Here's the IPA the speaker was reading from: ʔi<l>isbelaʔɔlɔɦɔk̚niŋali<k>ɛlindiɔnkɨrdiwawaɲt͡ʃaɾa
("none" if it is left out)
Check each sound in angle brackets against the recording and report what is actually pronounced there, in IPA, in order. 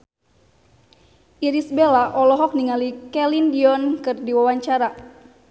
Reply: ɾ, k

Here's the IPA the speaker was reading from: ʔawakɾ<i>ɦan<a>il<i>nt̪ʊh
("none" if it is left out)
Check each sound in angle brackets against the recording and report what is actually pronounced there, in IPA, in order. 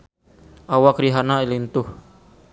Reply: i, a, i

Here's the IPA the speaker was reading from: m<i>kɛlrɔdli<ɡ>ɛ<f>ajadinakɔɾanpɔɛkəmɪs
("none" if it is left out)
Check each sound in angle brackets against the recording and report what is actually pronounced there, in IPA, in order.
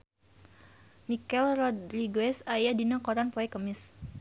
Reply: i, ɡ, s

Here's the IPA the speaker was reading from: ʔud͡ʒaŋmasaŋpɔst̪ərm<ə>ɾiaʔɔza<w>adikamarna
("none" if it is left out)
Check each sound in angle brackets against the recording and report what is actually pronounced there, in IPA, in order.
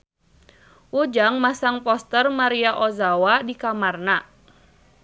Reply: a, w

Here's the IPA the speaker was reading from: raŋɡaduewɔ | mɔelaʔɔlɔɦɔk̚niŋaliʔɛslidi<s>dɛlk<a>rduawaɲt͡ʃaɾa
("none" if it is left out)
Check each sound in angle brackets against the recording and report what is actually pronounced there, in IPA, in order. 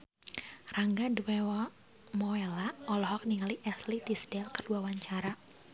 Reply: s, ə

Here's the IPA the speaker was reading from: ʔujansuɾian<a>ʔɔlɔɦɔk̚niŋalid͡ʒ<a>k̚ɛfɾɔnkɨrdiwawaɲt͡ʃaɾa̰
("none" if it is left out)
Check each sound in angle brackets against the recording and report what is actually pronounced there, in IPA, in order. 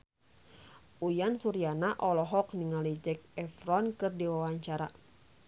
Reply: a, ɛ

